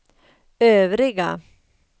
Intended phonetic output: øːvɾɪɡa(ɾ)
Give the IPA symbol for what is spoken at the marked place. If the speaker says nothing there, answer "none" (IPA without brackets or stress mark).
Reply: none